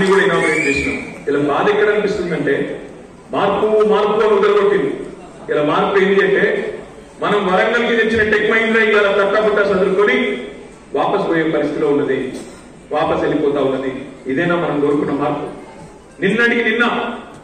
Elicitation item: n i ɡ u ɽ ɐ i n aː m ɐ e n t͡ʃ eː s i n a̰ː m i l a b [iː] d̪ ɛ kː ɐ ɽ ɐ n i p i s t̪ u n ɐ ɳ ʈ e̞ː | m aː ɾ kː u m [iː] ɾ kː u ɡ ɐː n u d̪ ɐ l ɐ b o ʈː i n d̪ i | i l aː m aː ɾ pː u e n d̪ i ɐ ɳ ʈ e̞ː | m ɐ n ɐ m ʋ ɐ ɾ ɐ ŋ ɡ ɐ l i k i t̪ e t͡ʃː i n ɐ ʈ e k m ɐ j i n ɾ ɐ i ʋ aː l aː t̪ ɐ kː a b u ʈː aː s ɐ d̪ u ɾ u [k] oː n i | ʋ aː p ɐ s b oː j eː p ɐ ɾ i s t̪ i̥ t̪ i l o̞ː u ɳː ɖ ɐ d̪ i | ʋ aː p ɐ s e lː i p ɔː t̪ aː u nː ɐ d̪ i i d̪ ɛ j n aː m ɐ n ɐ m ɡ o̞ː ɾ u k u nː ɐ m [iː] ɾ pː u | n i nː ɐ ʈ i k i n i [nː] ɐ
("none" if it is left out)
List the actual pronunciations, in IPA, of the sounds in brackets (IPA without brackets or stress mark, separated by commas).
aː, aː, k, aː, nː